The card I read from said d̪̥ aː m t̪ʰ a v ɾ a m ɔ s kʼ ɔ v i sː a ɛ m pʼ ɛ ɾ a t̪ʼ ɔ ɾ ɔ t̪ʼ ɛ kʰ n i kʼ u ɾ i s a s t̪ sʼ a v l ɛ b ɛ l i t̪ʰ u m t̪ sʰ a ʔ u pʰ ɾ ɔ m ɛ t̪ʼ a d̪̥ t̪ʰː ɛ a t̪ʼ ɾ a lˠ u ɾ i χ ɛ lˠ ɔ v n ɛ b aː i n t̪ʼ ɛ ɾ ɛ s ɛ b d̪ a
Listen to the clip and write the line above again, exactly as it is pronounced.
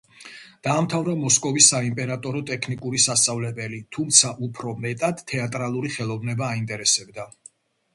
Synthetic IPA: d̪̥ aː m t̪ʰ a v ɾ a m ɔ s kʼ ɔ v i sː a i m pʼ ɛ ɾ a t̪ʼ ɔ ɾ ɔ t̪ʼ ɛ kʰ n i kʼ u ɾ i s a s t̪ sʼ a v l ɛ b ɛ l i t̪ʰ u m t̪ sʰ a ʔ u pʰ ɾ ɔ m ɛ t̪ʼ a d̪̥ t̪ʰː ɛ a t̪ʼ ɾ a lˠ u ɾ i χ ɛ lˠ ɔ v n ɛ b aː i n t̪ʼ ɛ ɾ ɛ s ɛ b d̪ a